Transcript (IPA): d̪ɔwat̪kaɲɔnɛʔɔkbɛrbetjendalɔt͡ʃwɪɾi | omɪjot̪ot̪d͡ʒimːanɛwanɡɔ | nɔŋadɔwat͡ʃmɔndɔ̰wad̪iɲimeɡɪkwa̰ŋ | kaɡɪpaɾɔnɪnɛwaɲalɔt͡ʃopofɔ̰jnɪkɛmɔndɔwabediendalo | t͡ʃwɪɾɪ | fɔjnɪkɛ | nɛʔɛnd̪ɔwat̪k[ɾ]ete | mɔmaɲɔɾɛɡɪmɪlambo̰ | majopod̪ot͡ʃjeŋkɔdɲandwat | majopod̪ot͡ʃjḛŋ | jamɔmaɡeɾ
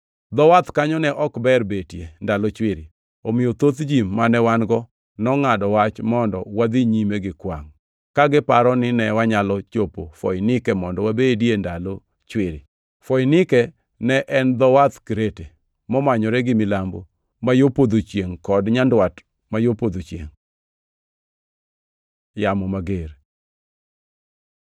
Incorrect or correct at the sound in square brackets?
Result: correct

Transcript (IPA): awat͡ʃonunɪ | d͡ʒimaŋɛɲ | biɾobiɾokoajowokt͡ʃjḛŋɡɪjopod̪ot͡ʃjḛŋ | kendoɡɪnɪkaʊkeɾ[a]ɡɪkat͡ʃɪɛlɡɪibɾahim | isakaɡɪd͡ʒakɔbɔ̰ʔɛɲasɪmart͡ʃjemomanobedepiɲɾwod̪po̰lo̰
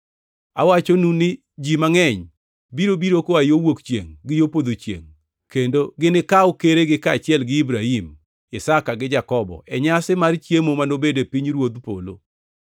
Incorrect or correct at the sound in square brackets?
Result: incorrect: e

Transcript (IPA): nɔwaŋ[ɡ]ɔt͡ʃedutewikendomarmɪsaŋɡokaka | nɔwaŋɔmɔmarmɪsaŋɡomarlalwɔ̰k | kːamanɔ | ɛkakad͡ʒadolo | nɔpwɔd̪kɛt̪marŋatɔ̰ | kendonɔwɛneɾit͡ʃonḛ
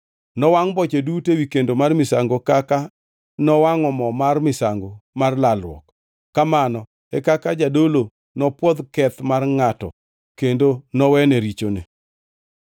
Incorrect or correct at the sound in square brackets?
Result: incorrect: b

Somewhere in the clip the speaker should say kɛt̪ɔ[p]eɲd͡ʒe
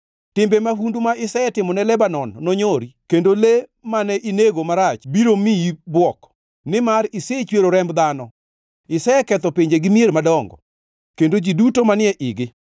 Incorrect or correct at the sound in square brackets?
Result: correct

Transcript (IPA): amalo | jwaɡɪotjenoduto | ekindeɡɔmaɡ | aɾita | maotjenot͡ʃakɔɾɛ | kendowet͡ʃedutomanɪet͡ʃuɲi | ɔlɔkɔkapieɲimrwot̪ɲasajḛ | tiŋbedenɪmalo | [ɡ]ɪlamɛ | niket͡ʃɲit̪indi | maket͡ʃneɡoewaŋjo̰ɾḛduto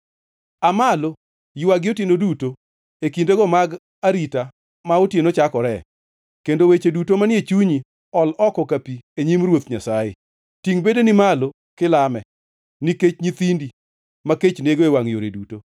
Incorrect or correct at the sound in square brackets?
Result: incorrect: k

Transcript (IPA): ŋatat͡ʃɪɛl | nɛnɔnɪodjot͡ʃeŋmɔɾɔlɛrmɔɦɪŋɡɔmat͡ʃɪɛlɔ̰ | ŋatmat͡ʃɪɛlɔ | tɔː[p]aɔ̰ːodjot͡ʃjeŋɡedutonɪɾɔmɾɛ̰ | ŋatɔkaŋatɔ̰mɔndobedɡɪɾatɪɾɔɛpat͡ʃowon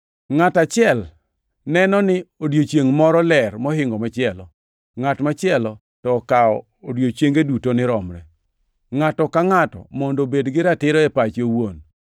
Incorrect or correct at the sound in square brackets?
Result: incorrect: k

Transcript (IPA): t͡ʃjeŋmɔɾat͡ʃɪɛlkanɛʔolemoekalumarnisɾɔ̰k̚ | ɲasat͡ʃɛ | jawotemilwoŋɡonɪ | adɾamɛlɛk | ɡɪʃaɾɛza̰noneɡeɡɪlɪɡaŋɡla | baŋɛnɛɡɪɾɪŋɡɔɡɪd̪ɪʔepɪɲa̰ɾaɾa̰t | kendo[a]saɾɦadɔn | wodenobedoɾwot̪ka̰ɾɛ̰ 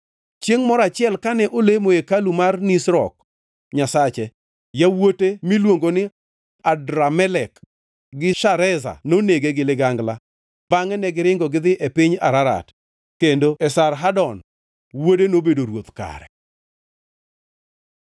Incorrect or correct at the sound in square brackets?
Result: incorrect: ɛ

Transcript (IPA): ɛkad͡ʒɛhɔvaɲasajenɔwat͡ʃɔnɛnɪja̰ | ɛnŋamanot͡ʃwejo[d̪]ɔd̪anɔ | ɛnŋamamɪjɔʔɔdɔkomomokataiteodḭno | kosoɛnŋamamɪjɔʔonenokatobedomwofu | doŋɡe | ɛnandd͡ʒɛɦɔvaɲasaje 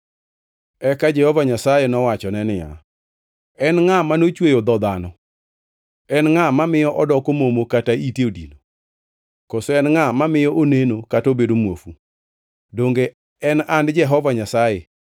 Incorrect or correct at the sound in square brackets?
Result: correct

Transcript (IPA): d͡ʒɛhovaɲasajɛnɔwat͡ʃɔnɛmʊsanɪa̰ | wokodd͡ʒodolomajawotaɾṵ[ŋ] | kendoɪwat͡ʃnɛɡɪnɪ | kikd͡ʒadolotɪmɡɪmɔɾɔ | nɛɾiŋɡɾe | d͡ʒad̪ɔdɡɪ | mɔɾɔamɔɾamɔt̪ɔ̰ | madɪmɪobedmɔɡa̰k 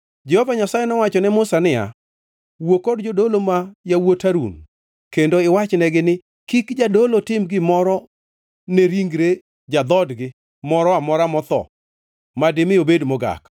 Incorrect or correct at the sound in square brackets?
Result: incorrect: n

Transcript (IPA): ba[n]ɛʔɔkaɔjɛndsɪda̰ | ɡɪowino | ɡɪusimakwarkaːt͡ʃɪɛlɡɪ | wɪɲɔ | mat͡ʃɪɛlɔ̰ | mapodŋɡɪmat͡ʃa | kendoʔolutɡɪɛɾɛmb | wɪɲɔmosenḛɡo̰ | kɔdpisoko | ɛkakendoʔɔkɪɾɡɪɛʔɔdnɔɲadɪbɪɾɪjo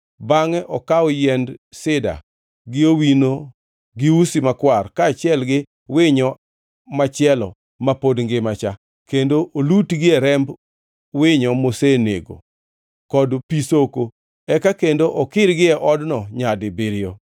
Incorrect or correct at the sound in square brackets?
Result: incorrect: ŋ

